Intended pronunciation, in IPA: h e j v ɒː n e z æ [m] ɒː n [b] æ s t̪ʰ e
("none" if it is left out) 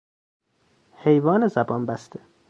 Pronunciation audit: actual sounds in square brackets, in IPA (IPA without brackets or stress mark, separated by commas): b, b